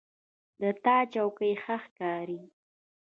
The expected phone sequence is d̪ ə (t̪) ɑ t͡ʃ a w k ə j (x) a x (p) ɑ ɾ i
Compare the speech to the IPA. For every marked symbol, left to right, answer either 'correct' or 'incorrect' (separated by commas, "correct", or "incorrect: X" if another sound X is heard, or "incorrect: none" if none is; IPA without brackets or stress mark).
correct, correct, incorrect: k